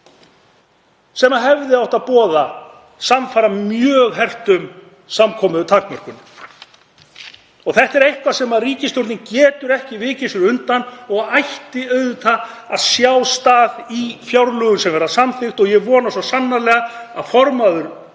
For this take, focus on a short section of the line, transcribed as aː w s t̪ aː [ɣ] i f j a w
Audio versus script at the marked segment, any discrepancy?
yes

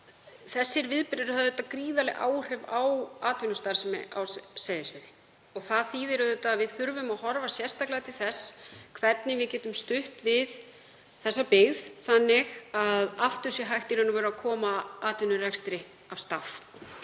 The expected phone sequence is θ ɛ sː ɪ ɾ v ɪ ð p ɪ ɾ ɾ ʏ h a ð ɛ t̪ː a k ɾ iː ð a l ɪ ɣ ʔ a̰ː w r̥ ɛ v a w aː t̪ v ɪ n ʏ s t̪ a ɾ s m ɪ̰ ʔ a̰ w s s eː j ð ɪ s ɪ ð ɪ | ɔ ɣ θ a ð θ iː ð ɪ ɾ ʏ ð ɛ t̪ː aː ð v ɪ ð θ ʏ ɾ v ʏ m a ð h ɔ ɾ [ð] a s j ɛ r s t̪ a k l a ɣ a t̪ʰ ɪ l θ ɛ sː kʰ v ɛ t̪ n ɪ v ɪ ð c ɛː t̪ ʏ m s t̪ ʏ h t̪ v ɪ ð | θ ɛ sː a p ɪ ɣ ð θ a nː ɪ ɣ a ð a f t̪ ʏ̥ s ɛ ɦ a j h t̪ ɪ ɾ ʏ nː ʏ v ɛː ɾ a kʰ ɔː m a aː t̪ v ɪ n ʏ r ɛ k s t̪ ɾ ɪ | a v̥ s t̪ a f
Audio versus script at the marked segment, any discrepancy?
yes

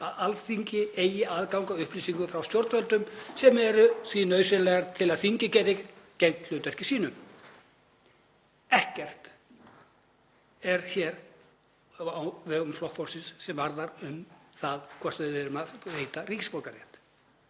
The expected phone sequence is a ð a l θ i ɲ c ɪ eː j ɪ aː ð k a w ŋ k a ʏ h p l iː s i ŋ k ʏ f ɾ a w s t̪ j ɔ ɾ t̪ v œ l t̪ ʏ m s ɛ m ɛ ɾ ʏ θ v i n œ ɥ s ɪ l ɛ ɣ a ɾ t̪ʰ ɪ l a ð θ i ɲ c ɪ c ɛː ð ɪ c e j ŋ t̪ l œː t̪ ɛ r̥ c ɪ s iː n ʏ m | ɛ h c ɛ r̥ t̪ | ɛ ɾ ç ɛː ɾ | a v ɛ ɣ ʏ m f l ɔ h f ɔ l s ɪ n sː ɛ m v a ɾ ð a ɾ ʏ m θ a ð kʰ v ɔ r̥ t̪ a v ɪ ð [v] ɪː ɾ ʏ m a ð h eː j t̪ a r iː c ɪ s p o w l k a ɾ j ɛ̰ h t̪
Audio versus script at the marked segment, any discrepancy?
no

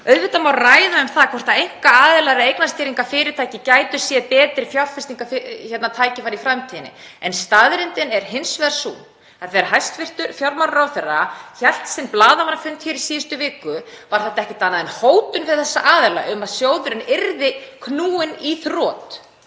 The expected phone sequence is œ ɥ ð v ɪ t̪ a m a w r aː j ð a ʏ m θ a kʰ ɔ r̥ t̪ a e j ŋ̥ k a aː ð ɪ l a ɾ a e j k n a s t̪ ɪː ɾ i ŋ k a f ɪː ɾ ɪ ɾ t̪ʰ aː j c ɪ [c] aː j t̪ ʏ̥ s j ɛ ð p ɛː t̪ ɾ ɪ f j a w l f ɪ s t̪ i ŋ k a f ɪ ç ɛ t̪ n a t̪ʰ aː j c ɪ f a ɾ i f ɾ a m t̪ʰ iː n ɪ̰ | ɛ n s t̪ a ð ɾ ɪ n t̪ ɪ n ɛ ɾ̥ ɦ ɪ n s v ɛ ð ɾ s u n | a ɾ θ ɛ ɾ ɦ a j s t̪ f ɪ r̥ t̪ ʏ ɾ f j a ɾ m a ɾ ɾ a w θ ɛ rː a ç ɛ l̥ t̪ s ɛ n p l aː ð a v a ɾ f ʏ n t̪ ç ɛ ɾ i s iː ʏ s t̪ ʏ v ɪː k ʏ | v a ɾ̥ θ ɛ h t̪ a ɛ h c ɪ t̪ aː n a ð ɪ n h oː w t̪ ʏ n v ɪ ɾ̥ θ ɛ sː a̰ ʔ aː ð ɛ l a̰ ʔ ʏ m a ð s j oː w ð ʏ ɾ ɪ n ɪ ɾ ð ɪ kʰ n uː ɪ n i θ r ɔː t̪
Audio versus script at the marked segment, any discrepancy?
no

